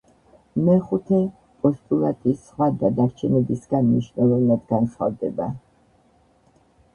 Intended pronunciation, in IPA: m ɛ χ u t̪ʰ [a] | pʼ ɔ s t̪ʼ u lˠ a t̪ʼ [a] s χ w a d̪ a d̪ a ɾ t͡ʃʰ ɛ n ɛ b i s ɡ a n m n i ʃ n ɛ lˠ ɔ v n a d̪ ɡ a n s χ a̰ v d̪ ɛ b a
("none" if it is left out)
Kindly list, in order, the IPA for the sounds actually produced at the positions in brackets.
ɛ, i

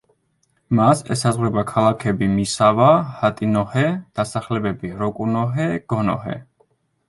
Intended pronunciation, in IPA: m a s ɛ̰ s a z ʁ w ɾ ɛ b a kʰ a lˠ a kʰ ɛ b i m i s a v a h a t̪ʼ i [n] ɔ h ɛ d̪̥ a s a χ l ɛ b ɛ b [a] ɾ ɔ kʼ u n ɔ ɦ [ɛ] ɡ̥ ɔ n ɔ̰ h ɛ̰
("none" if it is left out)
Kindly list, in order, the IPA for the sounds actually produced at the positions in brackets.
n, i, ɛ

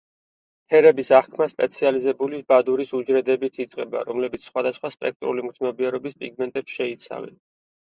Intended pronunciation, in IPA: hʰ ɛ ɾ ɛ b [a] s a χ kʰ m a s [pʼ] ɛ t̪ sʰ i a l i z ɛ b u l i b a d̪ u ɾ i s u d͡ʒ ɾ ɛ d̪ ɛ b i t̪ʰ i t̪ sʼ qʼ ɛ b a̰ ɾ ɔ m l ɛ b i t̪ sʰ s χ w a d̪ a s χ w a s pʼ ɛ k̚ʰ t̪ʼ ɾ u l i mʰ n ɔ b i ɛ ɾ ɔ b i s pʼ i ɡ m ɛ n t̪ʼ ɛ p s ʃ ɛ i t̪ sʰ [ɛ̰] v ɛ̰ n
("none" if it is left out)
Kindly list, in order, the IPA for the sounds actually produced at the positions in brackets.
i, pʼ, a̰

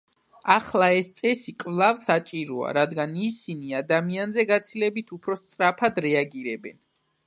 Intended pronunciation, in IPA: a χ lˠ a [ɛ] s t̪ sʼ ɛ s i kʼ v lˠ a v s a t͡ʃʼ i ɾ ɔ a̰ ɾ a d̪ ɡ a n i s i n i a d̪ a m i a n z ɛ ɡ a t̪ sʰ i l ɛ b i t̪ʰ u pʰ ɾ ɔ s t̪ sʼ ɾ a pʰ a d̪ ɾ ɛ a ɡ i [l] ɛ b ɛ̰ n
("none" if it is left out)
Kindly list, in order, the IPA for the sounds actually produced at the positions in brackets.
ɛ, ɾ

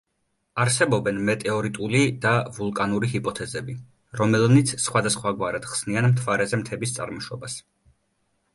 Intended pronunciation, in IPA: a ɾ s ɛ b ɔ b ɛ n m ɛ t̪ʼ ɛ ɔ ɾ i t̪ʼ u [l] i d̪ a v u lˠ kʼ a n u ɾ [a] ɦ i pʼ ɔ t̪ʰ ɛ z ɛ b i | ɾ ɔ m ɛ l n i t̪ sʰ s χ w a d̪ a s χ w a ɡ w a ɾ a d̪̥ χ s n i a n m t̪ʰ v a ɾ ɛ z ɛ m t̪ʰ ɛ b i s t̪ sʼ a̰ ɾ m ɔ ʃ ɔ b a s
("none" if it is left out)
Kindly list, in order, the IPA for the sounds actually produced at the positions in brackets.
l, i

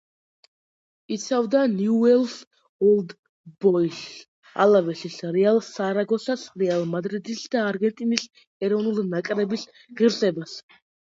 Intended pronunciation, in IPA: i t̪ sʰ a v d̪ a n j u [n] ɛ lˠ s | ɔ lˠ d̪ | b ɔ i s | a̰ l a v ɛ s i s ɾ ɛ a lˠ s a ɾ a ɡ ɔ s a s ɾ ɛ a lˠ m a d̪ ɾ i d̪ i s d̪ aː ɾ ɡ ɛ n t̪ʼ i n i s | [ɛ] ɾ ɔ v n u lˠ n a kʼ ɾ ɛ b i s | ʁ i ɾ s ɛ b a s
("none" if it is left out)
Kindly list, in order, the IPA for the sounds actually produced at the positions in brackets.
none, ɛ

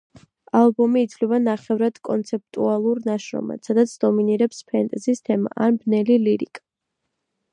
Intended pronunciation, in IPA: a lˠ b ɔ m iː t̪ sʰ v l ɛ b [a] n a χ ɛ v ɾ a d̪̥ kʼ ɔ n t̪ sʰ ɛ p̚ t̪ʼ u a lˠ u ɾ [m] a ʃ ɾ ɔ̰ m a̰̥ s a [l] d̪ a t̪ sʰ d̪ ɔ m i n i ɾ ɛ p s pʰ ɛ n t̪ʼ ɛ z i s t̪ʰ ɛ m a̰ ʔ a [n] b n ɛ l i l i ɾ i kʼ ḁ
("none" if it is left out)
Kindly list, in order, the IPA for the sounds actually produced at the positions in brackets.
a, n, none, n

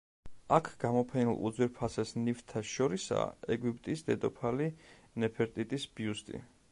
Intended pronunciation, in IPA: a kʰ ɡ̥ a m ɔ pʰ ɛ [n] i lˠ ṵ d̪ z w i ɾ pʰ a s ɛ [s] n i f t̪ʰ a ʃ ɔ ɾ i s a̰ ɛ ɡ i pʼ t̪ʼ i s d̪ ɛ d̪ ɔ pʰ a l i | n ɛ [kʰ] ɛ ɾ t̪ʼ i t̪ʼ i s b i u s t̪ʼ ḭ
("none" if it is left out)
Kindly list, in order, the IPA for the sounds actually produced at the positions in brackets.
n, s, pʰ

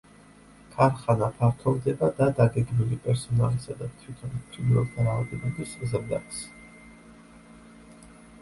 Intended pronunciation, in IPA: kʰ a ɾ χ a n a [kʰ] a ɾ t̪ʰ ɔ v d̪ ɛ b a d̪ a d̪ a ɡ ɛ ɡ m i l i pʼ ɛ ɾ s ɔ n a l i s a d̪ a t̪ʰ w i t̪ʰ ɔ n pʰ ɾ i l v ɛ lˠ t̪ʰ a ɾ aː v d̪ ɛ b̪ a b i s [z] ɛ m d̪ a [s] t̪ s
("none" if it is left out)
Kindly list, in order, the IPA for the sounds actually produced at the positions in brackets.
pʰ, z, none

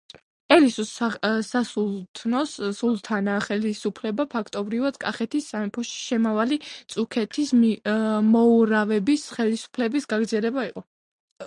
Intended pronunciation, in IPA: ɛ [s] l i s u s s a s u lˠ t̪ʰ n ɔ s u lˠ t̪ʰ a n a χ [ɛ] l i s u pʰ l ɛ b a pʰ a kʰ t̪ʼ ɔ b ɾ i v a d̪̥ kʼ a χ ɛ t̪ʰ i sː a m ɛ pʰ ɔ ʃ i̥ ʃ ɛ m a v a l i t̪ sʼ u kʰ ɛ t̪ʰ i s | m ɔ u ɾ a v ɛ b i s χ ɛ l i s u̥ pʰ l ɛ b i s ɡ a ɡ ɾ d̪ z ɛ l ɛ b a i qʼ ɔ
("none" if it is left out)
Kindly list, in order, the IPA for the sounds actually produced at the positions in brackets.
none, ɛ

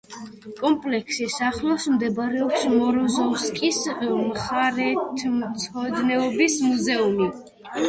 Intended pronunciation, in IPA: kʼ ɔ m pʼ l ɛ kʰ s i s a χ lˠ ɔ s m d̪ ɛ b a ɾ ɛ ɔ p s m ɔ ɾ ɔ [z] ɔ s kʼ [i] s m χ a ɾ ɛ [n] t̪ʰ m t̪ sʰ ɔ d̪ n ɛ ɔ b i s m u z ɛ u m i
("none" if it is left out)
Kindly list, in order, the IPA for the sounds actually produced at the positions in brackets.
z, i, none

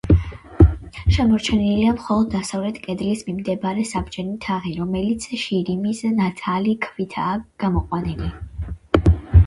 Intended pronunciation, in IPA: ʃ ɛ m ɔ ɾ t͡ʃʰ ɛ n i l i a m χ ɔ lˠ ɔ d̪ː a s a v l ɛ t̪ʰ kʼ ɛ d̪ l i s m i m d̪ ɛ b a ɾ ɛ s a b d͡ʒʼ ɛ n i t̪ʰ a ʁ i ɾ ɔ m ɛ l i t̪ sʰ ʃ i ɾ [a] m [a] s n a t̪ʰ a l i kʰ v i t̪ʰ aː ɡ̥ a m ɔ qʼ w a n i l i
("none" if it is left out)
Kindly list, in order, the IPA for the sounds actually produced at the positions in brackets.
i, i

